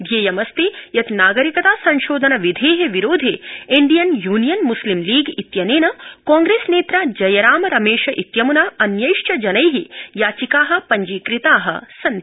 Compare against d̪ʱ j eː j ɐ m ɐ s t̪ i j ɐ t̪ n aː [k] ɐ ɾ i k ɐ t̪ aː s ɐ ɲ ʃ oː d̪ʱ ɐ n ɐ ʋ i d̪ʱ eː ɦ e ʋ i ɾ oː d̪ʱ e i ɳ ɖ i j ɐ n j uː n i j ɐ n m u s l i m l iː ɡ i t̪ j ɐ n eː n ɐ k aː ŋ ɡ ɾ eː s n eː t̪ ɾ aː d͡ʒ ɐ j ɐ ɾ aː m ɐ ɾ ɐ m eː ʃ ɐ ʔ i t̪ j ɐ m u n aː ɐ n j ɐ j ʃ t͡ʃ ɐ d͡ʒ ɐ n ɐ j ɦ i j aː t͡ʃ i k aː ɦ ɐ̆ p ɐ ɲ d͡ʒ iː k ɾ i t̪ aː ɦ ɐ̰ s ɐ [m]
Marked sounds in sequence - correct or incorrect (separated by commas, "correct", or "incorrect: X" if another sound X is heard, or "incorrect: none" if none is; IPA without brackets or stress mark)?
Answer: incorrect: ɡ, incorrect: n